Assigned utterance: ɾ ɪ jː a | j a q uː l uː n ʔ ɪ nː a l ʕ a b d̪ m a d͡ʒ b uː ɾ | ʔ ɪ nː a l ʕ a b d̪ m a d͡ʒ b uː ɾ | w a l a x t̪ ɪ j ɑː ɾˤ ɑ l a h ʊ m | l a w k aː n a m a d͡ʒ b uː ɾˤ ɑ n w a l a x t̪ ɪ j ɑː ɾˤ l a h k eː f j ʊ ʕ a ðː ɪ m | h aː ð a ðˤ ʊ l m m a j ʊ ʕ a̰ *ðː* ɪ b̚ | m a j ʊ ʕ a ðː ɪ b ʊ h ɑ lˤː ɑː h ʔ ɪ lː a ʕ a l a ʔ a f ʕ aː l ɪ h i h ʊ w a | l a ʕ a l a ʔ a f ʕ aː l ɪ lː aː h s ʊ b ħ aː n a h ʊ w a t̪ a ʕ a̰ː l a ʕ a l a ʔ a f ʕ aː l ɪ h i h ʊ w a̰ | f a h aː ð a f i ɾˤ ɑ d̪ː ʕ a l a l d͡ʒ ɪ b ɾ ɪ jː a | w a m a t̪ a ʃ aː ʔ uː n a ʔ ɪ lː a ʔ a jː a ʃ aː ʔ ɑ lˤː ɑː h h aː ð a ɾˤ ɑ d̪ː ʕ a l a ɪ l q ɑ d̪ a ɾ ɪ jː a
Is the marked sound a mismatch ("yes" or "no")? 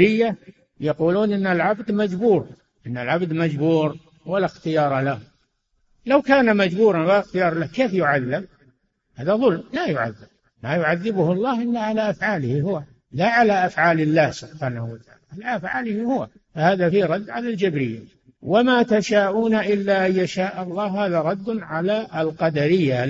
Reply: no